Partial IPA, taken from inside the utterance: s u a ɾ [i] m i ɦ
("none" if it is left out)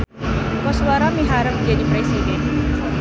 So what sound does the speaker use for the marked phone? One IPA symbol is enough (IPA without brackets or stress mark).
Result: a